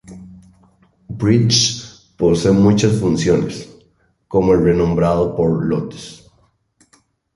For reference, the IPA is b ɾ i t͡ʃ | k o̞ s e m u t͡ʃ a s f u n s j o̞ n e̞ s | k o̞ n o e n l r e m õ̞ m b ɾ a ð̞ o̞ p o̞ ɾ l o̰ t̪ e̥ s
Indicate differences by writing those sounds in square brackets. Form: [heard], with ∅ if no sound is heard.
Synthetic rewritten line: b ɾ i t͡ʃ | [p] o̞ s e m u t͡ʃ a s f u n s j o̞ n e̞ s | k o̞ [m] o e [∅] l r e [n] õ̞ m b ɾ a ð̞ o̞ p o̞ ɾ l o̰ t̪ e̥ s

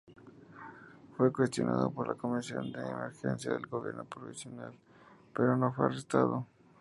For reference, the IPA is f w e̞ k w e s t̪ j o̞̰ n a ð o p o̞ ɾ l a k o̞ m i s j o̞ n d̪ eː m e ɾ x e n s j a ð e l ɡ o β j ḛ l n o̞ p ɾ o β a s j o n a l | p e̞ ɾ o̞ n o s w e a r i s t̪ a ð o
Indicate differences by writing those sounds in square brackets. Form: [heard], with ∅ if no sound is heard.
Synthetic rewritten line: f w e̞ k w e s t̪ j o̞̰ n a ð o p o̞ ɾ l a k o̞ m i s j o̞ n d̪ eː m e ɾ x e n s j a ð e l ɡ o β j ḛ [ɾ] n o̞ p ɾ o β [i] s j o n a l | p e̞ ɾ o̞ n o [f] w e a r [e] s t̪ a ð o

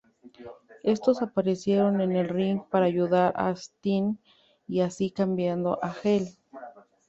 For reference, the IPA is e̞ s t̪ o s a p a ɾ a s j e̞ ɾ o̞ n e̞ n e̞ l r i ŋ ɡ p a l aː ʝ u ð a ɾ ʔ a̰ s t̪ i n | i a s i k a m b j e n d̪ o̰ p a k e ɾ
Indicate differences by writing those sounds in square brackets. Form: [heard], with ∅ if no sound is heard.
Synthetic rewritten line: e̞ s t̪ o s a p a ɾ [e] s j e̞ ɾ o̞ n e̞ n e̞ l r i ŋ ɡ p a [ɾ] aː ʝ u ð a ɾ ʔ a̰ s t̪ i n | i a s i k a m b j [a] n d̪ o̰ [ʔ] a [x] e [l]

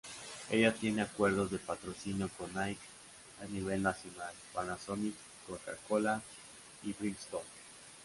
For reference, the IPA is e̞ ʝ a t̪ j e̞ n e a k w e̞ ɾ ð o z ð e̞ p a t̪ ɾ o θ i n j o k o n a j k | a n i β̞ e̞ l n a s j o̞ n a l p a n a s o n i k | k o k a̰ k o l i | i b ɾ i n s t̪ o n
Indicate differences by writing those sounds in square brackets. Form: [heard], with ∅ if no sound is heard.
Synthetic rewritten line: e̞ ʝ a t̪ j e̞ n e a k w e̞ ɾ ð o z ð e̞ p a t̪ ɾ o [s] i n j o k o n a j k | a n i β̞ e̞ l n a s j o̞ n a l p a n a s o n i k | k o k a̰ k o l [a] | i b ɾ i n s t̪ o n

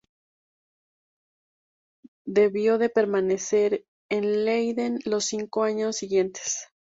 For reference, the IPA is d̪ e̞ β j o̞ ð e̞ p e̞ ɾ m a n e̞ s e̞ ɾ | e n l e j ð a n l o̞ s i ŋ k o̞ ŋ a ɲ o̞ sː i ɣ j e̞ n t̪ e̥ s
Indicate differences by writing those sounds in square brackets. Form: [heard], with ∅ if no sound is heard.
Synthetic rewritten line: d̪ e̞ β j o̞ ð e̞ p e̞ ɾ m a n e̞ s e̞ ɾ | e n l e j ð [e] n l o̞ s i ŋ k o̞ [∅] a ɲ o̞ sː i ɣ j e̞ n t̪ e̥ s

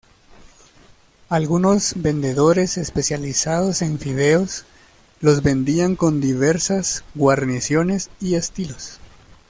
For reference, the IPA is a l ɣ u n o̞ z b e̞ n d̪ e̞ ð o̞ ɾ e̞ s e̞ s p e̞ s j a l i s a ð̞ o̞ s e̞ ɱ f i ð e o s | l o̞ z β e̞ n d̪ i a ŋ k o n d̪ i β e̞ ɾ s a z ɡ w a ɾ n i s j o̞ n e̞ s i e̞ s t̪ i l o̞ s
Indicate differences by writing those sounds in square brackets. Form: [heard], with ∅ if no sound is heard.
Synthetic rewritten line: a l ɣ u n o̞ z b e̞ n d̪ e̞ ð o̞ ɾ e̞ s e̞ s p e̞ s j a l i s a ð̞ o̞ s e̞ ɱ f i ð e o s | l o̞ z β e̞ n d̪ i a ŋ k o n d̪ i β e̞ ɾ s a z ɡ w a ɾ n i s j o̞ n e̞ s i e̞ s t̪ i l o̞ s

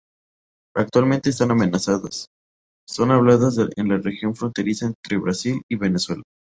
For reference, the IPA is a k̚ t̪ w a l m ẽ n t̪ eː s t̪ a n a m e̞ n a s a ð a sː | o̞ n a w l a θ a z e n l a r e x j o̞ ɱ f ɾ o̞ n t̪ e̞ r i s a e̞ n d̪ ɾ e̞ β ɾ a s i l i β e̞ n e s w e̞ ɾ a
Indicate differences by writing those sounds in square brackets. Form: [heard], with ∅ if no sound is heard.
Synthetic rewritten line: a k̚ t̪ w a l m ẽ n t̪ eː s t̪ a n a m e̞ n a s a ð a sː | o̞ n a [β] l a [ð] a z e n l a r e x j o̞ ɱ f ɾ o̞ n t̪ e̞ [ɾ] i s a e̞ n [t̪] ɾ e̞ β ɾ a s i l i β e̞ n e s w e̞ [l] a

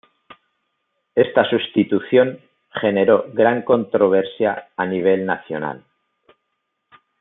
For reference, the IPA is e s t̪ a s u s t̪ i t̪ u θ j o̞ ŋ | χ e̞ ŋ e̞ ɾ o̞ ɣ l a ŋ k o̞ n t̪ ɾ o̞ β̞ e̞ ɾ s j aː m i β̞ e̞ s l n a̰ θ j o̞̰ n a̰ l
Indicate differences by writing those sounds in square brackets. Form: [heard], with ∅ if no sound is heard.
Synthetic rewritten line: e s t̪ a s u s t̪ i t̪ u θ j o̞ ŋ | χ e̞ [n] e̞ ɾ o̞ ɣ [ɾ] a ŋ k o̞ n t̪ ɾ o̞ β̞ e̞ ɾ s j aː [n] i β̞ e̞ [∅] l n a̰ θ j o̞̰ n a̰ l

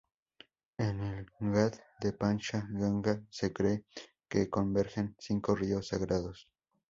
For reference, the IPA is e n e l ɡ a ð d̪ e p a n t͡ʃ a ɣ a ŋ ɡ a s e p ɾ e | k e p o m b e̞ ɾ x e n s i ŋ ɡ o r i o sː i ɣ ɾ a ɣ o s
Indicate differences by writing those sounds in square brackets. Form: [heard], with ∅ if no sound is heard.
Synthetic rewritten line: e n e l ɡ a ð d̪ e p a n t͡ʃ a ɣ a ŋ ɡ a s e [k] ɾ e | k e [k] o m b e̞ ɾ x e n s i ŋ [k] o r i o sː [a] ɣ ɾ a [ð] o s

